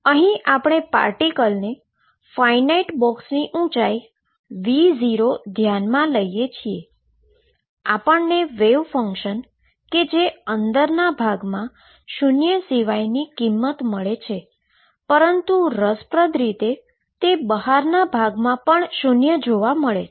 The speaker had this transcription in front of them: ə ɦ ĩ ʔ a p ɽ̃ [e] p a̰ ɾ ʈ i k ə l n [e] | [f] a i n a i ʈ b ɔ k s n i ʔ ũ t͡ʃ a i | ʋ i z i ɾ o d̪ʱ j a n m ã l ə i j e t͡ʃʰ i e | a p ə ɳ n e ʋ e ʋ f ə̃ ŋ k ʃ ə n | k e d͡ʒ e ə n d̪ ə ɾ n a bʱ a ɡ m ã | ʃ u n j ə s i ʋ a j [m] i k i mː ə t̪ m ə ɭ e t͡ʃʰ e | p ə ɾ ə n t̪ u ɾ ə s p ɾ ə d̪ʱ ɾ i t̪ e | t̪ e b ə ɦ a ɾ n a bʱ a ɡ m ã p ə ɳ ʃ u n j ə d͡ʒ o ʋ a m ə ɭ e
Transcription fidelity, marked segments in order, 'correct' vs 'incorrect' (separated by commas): correct, correct, correct, incorrect